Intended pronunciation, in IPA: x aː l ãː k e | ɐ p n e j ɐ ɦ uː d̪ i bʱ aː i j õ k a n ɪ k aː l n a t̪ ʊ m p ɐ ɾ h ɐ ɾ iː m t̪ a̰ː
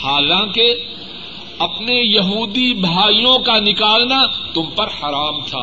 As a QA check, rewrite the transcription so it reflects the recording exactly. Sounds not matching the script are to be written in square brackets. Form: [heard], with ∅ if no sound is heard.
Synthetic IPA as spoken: [h] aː l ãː k e | ɐ p n e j ɐ ɦ uː d̪ i bʱ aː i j õ k a n ɪ k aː l n a t̪ ʊ m p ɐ ɾ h ɐ ɾ [aː] m [t̪ʰ] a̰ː